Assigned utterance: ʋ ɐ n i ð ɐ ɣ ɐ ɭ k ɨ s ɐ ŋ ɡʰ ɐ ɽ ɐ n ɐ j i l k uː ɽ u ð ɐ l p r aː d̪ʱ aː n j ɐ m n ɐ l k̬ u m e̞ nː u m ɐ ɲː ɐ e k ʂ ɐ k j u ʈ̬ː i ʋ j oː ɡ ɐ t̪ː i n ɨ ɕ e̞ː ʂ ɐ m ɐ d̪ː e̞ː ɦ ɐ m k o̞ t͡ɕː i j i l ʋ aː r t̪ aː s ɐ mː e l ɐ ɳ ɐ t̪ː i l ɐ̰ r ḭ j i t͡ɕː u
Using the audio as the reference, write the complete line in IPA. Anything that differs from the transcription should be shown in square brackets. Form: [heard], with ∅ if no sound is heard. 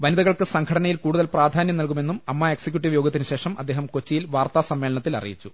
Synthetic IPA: ʋ ɐ n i ð ɐ ɣ ɐ ɭ k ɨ s ɐ ŋ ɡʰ ɐ ɽ ɐ n ɐ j i l k uː ɽ u ð ɐ l p r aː d̪ʱ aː n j ɐ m n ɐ l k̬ u m e̞ nː u m ɐ [mː] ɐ e k [s] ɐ k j u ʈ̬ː i ʋ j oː ɡ ɐ t̪ː i n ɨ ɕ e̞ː ʂ ɐ m ɐ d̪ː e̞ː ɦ ɐ m k o̞ t͡ɕː i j i l ʋ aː r t̪ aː s ɐ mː e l ɐ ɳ ɐ t̪ː i l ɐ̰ r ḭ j i t͡ɕː u